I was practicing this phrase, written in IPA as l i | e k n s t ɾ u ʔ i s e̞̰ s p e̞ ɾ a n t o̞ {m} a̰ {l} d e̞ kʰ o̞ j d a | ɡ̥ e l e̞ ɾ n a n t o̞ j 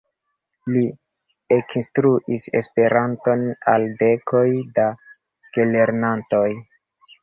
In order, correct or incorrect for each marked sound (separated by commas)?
incorrect, correct